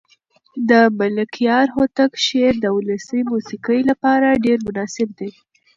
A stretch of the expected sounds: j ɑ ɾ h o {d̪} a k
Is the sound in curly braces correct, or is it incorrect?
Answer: incorrect